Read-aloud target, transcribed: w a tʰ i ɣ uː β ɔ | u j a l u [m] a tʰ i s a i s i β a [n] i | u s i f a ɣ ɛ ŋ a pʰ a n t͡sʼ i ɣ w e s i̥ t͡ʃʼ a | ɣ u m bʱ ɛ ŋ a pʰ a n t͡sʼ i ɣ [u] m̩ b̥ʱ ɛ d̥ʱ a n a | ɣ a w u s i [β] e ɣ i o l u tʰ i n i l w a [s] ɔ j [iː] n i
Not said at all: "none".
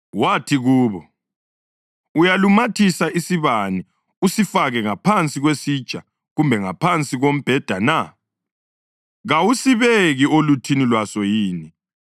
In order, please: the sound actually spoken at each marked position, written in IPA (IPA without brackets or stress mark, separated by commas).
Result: m, n, o, β, s, iː